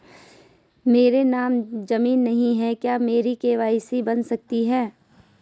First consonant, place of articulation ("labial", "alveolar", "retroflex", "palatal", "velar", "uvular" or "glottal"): labial